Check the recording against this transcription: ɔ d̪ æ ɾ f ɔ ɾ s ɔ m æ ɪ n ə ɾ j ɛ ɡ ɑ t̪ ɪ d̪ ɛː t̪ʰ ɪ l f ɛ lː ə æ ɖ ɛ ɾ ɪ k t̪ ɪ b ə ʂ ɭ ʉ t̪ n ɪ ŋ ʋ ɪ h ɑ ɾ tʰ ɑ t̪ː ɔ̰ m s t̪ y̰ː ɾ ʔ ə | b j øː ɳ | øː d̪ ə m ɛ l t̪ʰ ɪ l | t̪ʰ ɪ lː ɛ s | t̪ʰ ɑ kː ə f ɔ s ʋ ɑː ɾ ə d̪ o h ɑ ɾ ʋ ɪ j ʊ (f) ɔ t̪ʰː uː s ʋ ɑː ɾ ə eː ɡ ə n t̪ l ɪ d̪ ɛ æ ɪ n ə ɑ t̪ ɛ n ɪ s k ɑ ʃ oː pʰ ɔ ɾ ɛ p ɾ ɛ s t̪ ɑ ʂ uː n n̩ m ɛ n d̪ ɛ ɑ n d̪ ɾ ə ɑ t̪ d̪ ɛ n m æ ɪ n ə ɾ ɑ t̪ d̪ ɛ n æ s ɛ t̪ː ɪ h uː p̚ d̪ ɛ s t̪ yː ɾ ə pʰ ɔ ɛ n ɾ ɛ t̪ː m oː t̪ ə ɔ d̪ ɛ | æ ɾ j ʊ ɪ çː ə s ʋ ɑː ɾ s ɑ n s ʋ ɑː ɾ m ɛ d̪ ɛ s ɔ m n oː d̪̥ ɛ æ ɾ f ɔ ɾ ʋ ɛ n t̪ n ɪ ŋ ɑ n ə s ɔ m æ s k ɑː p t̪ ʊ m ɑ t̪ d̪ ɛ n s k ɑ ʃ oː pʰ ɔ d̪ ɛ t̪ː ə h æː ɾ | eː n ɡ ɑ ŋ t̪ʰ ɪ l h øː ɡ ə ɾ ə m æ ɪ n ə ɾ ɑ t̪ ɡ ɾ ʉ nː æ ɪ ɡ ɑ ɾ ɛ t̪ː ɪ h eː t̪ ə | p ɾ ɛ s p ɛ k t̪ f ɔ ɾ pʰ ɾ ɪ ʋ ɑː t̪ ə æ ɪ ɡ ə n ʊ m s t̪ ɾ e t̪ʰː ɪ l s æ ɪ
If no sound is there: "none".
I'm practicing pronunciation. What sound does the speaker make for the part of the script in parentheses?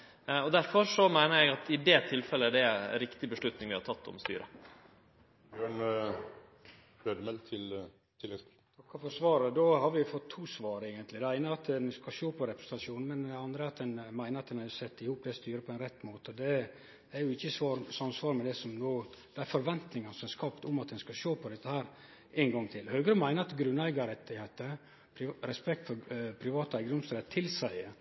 f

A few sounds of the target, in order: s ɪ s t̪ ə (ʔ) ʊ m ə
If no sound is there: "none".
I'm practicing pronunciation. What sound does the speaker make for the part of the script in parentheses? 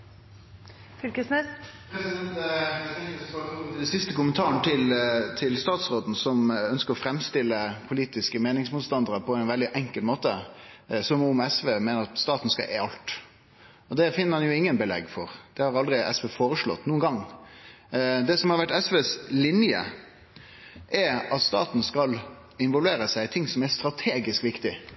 k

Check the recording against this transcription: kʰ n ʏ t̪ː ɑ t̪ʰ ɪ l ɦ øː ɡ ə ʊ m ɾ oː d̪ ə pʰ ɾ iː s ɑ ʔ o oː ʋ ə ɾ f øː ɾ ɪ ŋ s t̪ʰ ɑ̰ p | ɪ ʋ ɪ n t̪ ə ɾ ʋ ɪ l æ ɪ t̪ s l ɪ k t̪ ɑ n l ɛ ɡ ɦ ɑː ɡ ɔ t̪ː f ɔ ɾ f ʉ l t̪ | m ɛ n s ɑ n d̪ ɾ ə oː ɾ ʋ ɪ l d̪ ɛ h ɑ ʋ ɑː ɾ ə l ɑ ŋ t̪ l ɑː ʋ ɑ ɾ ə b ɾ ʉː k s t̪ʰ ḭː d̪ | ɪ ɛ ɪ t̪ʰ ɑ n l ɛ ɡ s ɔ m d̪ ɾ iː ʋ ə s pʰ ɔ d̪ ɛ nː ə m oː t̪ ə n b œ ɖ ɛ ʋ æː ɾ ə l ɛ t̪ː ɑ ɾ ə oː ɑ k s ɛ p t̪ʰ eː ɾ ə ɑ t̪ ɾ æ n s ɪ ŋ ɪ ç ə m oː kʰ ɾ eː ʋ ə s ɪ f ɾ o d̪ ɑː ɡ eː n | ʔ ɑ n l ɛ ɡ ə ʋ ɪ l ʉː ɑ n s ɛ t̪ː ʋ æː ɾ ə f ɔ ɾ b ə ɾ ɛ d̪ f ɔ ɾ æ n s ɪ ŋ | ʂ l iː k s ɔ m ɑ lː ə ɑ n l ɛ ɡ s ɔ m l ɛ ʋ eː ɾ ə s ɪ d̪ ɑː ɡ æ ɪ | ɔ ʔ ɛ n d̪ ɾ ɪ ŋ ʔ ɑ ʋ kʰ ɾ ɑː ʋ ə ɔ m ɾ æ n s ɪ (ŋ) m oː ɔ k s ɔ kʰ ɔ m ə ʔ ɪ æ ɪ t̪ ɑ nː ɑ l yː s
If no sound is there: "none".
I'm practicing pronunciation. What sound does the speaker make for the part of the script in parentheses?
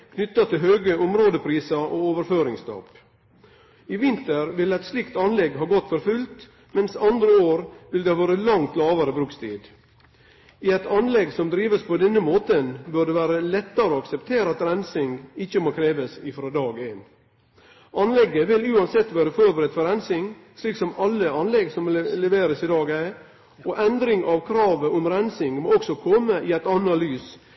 ŋ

